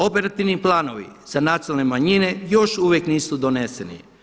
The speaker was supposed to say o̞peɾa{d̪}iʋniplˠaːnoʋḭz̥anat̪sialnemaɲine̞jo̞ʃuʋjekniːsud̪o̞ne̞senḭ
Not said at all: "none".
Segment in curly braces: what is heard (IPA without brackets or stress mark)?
t̪